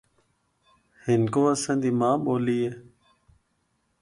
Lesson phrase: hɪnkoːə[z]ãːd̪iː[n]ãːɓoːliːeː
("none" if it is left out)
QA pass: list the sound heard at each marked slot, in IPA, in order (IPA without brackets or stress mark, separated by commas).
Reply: s, m